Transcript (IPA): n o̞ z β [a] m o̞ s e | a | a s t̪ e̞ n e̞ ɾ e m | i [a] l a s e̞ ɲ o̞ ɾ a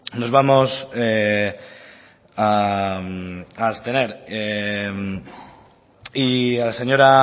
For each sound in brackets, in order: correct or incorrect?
correct, correct

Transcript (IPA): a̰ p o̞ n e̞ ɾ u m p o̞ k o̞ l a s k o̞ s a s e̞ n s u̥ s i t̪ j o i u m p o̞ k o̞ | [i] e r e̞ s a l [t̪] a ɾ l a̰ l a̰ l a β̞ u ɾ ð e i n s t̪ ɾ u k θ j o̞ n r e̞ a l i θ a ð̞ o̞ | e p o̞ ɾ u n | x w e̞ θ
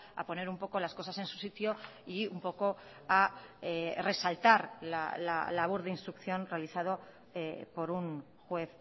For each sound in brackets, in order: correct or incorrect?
incorrect, correct

